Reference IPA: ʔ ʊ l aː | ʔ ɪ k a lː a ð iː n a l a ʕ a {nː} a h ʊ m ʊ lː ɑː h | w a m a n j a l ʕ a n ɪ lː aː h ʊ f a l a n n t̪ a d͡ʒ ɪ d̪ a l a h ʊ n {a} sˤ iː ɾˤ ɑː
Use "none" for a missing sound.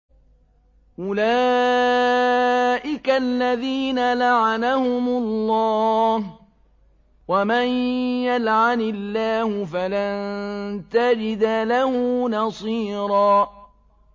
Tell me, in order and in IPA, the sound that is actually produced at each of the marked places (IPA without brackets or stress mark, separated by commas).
n, ɑ